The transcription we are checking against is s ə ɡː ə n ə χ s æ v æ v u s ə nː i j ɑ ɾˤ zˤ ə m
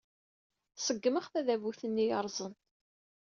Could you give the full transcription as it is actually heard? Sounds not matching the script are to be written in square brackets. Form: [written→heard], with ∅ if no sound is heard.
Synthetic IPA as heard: s ə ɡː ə [n→m] ə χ [s→θ] æ [v→ð] æ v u [s→θ] ə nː i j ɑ ɾˤ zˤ ə [m→n]